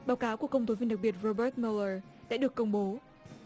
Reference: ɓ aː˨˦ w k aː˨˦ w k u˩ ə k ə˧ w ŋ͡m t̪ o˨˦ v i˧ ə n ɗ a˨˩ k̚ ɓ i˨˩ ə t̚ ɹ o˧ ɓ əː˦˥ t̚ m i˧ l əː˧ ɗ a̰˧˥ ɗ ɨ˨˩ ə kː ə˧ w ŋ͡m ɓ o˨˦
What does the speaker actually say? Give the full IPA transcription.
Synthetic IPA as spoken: ɓ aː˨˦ w k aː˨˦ w k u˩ ə k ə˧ w ŋ͡m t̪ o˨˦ v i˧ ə n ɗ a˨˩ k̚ ɓ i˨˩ ə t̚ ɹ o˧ ɓ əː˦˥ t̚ m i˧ l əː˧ ɗ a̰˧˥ ɗ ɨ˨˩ ə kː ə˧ w ŋ͡m ɓ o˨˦